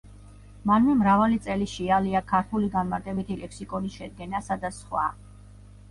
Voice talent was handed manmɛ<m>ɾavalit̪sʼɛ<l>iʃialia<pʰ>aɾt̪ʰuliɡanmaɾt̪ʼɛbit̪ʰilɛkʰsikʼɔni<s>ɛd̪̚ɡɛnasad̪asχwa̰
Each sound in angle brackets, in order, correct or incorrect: correct, correct, incorrect, incorrect

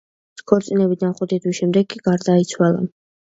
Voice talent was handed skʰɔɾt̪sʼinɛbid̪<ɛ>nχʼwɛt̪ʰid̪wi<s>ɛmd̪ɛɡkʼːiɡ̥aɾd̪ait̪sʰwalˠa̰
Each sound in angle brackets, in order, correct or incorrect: incorrect, incorrect

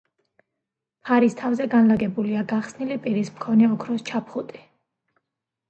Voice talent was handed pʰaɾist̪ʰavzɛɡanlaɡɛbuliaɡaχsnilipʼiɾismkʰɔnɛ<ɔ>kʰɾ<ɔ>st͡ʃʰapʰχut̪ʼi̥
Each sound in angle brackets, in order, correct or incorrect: correct, correct

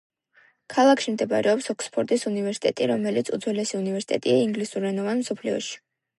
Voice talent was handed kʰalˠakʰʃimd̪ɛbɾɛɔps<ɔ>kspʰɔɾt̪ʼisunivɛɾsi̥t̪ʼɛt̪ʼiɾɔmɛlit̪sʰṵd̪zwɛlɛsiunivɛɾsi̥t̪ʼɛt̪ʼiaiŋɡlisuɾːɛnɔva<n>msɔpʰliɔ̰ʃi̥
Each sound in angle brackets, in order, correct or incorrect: correct, correct

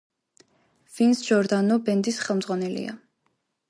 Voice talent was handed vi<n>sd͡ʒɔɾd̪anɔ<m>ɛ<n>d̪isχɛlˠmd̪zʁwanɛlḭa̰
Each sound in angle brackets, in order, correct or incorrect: correct, incorrect, correct

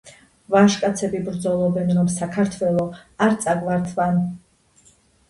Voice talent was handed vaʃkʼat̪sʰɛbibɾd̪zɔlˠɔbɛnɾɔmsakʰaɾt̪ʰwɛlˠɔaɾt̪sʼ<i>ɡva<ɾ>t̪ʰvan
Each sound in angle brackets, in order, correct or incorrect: incorrect, correct

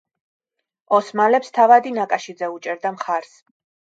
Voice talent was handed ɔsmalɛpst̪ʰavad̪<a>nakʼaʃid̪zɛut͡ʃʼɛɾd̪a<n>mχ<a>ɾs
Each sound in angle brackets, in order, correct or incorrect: incorrect, incorrect, correct

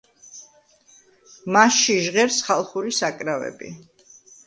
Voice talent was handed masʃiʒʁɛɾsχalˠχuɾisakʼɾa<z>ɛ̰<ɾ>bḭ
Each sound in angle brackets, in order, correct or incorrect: incorrect, incorrect

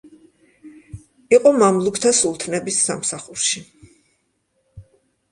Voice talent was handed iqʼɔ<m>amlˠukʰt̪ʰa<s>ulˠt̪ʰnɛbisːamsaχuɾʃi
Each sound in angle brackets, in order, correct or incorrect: correct, correct

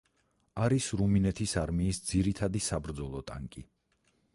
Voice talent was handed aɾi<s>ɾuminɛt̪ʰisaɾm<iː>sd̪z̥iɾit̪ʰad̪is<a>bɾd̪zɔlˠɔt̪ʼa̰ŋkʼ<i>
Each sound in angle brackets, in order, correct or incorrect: correct, correct, correct, correct

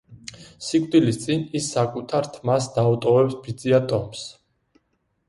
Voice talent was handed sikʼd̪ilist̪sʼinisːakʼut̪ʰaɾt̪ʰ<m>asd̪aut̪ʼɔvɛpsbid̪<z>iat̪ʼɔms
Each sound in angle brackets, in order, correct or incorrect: correct, correct

